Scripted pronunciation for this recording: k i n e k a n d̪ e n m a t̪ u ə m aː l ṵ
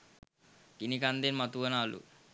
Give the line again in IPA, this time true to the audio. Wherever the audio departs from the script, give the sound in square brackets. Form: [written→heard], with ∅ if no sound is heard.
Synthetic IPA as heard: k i n [e→i] k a n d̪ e n m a t̪ u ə [m→n] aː l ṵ